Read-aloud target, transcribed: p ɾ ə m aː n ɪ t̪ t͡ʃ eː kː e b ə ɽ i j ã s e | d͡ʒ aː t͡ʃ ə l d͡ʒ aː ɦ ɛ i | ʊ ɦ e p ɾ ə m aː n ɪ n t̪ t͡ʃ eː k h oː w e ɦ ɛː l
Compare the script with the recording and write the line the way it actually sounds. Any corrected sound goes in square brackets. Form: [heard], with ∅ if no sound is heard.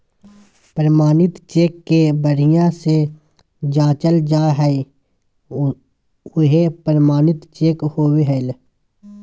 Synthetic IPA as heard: p ɾ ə m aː n ɪ t̪ t͡ʃ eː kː e b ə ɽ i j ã s e | d͡ʒ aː t͡ʃ ə l d͡ʒ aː ɦ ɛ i | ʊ ɦ e p ɾ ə m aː n ɪ [∅] t̪ t͡ʃ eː k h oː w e ɦ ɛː l